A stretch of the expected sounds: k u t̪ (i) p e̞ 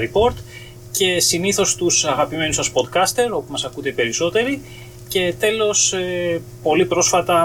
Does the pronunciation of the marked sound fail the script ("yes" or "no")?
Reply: yes